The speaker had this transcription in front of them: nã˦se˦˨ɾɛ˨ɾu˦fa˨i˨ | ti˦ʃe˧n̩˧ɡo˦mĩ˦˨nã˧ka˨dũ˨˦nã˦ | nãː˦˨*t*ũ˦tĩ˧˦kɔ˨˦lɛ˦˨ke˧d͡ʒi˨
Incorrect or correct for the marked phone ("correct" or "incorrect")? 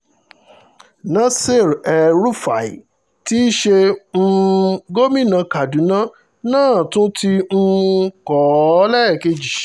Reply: correct